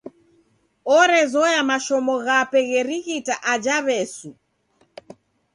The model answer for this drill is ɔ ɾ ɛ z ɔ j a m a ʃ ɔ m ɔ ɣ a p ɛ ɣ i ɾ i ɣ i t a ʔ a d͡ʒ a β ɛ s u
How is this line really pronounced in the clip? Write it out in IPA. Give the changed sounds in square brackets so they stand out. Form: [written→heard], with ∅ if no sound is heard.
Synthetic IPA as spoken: ɔ ɾ ɛ z ɔ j a m a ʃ ɔ m ɔ ɣ a p ɛ ɣ [i→ɛ] ɾ i ɣ i t a ʔ a d͡ʒ a β ɛ s u